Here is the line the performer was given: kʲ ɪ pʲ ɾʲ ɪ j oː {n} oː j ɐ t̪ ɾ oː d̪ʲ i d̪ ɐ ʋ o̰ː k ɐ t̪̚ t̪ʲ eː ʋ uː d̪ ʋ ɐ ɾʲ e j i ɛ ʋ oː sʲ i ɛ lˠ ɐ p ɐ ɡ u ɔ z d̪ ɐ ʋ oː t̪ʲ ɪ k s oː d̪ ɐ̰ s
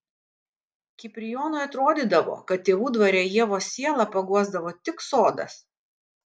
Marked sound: correct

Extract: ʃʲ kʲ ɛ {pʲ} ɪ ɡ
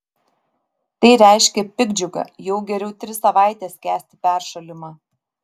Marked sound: correct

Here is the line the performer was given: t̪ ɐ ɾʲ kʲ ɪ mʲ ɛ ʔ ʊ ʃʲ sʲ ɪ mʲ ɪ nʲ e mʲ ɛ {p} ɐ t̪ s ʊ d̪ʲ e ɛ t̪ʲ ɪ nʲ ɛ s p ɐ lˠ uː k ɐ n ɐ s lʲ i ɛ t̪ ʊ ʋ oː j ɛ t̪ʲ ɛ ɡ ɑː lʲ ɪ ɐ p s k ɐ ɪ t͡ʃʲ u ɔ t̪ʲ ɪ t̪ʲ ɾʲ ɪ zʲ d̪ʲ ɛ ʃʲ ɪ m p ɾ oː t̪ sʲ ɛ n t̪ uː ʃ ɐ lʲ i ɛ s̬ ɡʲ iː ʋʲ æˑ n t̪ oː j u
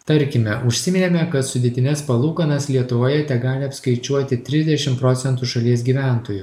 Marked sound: incorrect: k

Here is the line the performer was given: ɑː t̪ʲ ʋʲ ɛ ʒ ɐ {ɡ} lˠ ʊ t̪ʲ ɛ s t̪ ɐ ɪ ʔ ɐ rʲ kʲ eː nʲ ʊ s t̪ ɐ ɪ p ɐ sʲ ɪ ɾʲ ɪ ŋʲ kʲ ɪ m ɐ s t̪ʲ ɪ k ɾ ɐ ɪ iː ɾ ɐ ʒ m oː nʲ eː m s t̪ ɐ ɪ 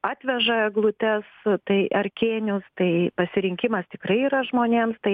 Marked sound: correct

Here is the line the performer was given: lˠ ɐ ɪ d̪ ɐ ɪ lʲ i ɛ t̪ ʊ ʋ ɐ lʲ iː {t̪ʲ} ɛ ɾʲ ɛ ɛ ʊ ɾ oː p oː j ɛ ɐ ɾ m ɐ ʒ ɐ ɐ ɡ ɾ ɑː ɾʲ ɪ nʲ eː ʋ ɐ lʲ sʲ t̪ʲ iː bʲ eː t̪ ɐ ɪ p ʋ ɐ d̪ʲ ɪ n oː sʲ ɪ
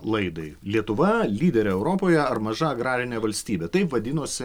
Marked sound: incorrect: d̪ʲ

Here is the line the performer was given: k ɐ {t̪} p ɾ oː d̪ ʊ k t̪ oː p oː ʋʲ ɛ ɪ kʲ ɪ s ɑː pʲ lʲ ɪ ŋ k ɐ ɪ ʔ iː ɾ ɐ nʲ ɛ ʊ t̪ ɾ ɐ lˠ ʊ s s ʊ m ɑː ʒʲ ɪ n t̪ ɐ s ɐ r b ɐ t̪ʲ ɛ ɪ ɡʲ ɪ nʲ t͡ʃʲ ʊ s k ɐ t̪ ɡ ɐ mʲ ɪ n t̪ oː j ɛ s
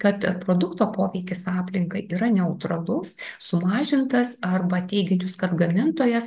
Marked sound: correct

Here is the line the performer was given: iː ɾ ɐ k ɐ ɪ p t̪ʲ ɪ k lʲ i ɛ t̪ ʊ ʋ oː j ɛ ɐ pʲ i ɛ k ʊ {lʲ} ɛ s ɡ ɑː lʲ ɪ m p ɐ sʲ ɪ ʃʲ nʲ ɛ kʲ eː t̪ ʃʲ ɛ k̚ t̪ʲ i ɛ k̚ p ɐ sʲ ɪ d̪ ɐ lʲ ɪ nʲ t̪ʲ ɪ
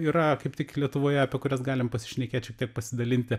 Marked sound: incorrect: ɾʲ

